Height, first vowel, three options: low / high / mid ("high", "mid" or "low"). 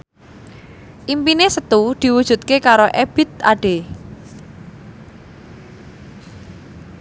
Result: high